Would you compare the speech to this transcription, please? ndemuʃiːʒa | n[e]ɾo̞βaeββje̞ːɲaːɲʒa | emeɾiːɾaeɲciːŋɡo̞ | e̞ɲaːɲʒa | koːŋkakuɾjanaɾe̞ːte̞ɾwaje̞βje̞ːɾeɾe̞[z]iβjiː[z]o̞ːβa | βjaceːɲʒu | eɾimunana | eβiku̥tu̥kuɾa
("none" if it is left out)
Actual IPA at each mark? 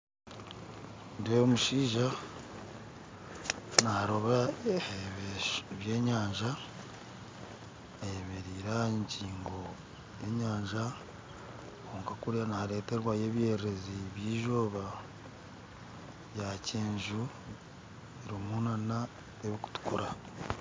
a, z, ʒ

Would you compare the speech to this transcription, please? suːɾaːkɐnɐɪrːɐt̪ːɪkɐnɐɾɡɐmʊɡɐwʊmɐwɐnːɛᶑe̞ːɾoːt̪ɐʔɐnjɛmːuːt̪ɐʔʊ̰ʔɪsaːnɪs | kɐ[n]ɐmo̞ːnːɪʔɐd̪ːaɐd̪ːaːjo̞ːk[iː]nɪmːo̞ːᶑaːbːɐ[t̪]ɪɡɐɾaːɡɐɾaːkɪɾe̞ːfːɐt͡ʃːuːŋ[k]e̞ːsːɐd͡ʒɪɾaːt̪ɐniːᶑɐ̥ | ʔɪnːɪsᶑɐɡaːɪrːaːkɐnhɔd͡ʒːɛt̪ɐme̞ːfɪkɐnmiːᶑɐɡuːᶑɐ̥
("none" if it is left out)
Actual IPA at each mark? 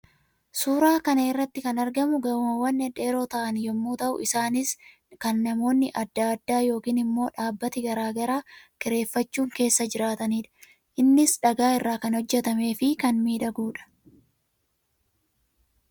nː, iː, t̪, k

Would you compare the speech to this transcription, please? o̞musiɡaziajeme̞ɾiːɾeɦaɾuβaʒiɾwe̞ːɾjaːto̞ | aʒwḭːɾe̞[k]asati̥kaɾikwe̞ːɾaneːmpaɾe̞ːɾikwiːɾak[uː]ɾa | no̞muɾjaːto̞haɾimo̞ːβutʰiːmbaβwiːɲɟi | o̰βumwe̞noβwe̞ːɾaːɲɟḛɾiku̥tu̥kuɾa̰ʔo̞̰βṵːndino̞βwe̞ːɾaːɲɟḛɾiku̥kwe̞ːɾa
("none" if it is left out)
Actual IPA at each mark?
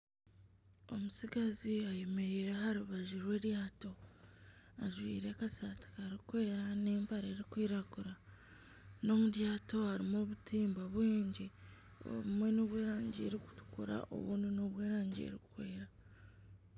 k, u

